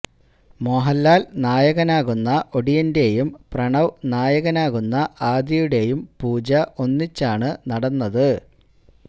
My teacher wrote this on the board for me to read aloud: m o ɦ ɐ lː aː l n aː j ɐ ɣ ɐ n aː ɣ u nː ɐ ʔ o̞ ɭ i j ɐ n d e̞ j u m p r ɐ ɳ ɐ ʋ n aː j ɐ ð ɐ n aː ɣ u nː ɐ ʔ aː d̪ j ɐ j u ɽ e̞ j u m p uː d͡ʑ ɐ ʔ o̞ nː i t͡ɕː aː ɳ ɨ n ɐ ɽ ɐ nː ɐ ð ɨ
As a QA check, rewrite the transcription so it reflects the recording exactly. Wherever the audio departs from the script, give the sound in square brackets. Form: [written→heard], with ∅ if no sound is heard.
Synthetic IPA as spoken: m o ɦ ɐ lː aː l n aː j ɐ ɣ ɐ n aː ɣ u nː ɐ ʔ o̞ [ɭ→ɽ] i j ɐ n d e̞ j u m p r ɐ ɳ ɐ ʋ n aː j ɐ [ð→ɣ] ɐ n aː ɣ u nː ɐ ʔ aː d̪ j ɐ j u ɽ e̞ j u m p uː d͡ʑ ɐ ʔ o̞ nː i t͡ɕː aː ɳ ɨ n ɐ ɽ ɐ nː ɐ ð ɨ

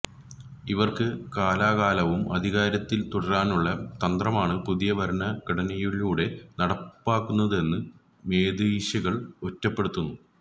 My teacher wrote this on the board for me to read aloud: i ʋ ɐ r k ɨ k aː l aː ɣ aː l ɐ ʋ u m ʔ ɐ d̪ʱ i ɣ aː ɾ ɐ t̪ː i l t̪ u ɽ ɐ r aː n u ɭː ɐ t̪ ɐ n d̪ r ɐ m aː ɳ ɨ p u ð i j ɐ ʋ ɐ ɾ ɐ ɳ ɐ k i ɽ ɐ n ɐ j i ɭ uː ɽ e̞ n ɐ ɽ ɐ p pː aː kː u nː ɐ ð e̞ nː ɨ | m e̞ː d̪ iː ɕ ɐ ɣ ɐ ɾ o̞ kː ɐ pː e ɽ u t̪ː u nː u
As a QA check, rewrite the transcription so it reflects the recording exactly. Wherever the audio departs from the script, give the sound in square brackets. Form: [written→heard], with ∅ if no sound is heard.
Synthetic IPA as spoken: i ʋ ɐ r k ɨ k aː l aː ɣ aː l ɐ ʋ u m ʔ ɐ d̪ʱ i ɣ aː ɾ ɐ t̪ː i l t̪ u ɽ ɐ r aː n u ɭː ɐ t̪ ɐ n d̪ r ɐ m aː ɳ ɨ p u ð i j ɐ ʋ ɐ ɾ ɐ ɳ ɐ k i ɽ ɐ n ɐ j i ɭ uː ɽ e̞ n ɐ ɽ ɐ p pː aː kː u nː ɐ ð e̞ nː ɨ | m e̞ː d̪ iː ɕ ɐ ɣ ɐ [ɾ→ɭ] o̞ [kː→tː] ɐ pː e ɽ u t̪ː u nː u

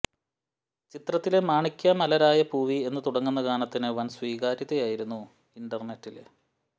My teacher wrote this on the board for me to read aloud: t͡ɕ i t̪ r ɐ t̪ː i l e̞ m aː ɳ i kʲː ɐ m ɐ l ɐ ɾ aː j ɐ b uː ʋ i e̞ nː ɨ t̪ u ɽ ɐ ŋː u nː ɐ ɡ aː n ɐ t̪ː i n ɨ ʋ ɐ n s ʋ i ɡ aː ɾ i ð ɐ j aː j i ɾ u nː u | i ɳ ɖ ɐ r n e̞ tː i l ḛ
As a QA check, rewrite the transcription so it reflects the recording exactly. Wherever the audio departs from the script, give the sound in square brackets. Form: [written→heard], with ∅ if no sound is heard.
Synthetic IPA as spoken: t͡ɕ i t̪ r ɐ t̪ː i l e̞ m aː ɳ i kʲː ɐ m ɐ l ɐ ɾ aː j ɐ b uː ʋ i e̞ nː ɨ t̪ u ɽ ɐ ŋː u nː ɐ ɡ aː n ɐ t̪ː i n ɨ ʋ ɐ n s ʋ [i→iː] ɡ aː ɾ i ð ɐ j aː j i ɾ u nː u | i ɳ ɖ ɐ r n e̞ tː i l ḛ

